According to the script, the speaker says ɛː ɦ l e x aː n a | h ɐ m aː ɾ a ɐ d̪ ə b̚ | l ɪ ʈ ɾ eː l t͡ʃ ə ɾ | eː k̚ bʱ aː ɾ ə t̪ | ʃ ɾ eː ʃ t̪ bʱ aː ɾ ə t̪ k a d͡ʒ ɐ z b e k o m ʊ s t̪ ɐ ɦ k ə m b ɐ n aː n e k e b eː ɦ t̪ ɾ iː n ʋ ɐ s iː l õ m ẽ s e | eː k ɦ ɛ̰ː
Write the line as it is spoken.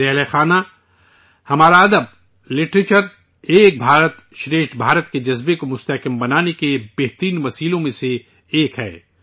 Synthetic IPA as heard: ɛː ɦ l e x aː n a | h ɐ m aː ɾ a ɐ d̪ ə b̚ | l ɪ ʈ ɾ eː t͡ʃ ə ɾ | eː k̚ bʱ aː ɾ ə t̪ | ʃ ɾ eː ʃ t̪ bʱ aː ɾ ə t̪ k e d͡ʒ ɐ z b e k o m ʊ s t̪ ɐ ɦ k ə m b ɐ n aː n e k e b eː ɦ t̪ ɾ iː n ʋ ɐ s iː l õ m ẽ s e | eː k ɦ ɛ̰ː